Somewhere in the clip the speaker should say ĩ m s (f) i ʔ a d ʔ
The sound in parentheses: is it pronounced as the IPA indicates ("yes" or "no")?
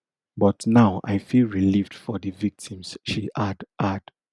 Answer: no